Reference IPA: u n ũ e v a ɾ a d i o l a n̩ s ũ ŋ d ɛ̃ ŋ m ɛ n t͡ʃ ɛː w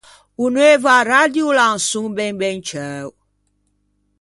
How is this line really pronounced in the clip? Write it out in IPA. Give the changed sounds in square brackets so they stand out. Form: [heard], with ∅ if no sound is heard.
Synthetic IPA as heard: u n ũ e v a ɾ a d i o l a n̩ s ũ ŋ [b] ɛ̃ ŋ [b] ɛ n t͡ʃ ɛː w